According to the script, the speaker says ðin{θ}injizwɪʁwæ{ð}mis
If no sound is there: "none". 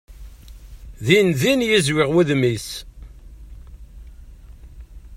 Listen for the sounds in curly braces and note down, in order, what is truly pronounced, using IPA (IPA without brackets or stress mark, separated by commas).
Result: ð, ð